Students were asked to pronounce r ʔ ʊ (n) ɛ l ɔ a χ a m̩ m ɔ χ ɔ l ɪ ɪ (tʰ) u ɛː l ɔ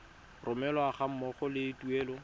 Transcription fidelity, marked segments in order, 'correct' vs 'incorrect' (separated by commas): incorrect, incorrect